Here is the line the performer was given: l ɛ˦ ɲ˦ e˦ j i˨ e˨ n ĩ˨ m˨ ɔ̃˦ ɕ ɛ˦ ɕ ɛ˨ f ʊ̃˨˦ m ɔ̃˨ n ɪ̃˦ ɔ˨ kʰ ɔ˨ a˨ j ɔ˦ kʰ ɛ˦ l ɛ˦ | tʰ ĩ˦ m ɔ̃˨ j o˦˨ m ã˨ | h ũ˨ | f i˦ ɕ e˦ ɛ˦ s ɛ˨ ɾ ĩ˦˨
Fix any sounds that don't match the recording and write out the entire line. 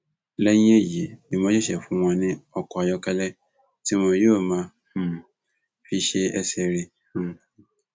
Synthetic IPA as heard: l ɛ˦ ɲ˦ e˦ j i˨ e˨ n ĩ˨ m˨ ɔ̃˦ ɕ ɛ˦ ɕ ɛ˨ f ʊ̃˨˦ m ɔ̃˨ n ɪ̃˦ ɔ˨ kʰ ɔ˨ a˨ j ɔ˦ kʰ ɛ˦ l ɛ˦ | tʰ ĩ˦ m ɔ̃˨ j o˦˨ m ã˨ | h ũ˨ | f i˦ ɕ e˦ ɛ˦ s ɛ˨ ɾ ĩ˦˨